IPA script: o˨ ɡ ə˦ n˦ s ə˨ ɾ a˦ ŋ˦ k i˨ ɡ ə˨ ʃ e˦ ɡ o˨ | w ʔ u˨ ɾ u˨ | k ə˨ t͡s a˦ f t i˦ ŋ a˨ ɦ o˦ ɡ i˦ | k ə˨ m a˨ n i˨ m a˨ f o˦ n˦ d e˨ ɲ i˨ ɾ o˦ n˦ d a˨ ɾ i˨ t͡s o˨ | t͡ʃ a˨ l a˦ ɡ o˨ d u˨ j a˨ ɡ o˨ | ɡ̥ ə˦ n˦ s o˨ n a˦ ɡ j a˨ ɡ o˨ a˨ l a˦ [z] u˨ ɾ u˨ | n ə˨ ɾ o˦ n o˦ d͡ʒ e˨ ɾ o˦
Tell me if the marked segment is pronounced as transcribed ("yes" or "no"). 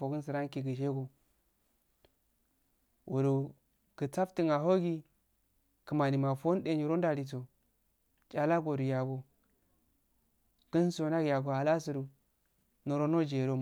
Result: no